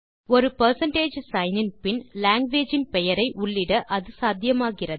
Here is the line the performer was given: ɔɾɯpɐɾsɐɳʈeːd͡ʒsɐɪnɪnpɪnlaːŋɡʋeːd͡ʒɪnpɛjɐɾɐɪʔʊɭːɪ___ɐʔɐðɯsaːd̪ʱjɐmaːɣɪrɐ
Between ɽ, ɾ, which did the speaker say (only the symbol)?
ɽ